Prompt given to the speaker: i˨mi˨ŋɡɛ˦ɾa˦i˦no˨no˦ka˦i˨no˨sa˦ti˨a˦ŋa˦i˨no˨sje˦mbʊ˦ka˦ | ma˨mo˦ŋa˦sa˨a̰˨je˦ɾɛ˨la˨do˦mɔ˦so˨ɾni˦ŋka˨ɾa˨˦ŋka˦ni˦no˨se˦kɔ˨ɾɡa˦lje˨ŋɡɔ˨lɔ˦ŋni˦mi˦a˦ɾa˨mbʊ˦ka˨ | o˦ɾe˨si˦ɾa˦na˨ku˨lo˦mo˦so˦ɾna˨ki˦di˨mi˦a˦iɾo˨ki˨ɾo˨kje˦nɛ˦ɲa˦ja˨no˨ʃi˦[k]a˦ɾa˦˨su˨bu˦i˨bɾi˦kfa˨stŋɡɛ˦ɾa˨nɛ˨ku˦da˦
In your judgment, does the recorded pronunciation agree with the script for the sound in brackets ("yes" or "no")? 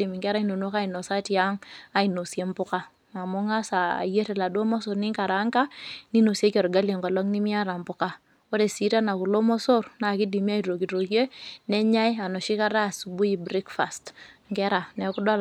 yes